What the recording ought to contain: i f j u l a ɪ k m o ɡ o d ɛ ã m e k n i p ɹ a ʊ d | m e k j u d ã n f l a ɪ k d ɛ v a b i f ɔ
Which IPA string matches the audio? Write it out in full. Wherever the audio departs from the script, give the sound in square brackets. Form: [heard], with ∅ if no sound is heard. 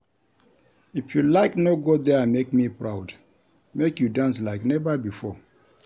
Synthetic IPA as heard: i f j u l a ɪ k [n] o ɡ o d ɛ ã m e k [m] i p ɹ a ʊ d | m e k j u d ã n [s] l a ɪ k [n] ɛ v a b i f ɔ